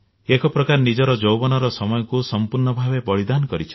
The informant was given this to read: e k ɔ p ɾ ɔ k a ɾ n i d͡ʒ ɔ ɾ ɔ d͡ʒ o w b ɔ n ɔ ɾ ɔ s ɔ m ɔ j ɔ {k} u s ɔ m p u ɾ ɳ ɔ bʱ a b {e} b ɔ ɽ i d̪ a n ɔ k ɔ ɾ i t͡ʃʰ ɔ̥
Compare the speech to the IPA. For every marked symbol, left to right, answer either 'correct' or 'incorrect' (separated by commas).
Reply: correct, correct